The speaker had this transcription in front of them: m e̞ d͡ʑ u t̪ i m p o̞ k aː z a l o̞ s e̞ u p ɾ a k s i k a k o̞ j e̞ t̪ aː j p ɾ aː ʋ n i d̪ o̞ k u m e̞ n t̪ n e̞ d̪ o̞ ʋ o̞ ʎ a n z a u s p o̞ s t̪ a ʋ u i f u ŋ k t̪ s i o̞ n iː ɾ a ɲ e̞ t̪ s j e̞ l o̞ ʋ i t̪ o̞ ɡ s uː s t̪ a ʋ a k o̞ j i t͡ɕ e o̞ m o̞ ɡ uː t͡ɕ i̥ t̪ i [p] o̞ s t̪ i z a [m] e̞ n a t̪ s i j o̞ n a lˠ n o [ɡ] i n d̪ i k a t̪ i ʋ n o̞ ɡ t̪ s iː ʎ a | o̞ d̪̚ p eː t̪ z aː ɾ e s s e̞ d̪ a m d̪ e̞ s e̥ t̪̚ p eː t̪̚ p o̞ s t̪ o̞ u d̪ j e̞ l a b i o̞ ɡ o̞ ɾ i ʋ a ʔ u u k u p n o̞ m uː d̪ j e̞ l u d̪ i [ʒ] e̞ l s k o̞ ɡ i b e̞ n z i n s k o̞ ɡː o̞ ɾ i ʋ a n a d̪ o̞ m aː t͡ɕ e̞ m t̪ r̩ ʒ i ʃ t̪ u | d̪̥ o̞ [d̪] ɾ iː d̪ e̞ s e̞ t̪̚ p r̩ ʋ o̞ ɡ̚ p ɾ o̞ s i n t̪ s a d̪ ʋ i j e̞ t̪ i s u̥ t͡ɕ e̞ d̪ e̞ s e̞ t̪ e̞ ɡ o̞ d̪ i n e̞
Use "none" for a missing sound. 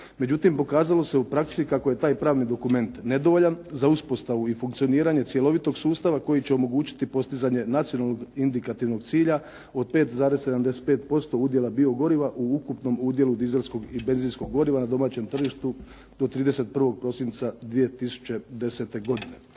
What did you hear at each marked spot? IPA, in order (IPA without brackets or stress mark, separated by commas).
p, ɲ, ɡ, z, t̪